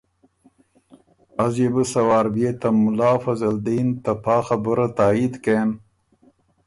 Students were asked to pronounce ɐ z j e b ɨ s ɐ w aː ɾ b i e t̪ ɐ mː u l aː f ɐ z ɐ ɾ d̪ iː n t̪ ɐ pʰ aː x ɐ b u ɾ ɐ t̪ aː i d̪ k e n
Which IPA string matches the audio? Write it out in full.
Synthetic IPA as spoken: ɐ z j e b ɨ s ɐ w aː ɾ b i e t̪ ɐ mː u l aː f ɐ z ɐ l d̪ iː n t̪ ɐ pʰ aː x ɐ b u ɾ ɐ t̪ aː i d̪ k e n